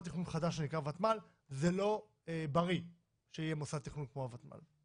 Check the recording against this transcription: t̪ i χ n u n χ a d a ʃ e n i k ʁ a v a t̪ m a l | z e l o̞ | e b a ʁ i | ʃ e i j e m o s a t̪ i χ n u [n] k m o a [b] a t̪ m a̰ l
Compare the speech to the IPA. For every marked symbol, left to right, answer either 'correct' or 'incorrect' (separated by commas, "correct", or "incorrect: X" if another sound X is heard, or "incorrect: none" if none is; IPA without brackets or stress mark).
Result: correct, incorrect: v